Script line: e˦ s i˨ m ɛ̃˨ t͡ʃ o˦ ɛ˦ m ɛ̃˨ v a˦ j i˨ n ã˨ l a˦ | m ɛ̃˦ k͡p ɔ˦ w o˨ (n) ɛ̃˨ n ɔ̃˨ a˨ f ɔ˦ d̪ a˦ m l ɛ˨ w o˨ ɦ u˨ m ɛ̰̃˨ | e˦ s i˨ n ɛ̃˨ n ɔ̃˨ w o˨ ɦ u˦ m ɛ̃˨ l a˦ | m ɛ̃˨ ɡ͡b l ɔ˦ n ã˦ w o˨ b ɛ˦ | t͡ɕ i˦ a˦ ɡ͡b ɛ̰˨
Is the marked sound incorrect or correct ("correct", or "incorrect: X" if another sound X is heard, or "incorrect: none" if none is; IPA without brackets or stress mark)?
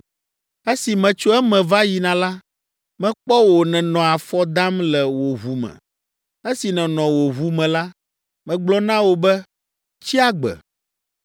correct